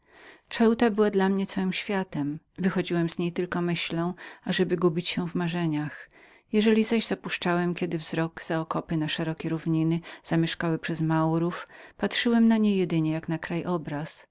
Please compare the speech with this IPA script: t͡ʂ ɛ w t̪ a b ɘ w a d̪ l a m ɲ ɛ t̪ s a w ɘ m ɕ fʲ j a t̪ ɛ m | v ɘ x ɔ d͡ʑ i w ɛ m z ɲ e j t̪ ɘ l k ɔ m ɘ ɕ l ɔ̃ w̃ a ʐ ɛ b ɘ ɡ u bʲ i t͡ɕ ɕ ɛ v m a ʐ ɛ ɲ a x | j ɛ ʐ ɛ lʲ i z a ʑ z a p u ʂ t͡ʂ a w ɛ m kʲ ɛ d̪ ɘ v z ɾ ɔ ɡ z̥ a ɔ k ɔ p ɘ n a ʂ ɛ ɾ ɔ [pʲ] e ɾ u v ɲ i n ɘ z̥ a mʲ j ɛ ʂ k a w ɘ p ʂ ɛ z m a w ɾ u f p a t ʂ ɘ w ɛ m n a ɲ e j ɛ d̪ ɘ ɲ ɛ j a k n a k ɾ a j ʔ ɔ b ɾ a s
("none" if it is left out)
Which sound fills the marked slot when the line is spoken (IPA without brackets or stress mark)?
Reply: kʲ